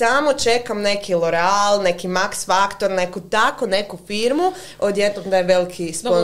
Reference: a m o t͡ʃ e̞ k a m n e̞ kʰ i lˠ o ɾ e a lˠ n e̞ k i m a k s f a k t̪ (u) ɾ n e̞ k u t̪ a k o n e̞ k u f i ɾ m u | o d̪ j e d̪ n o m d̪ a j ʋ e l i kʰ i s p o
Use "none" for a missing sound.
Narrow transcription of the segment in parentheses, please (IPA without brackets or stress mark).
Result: o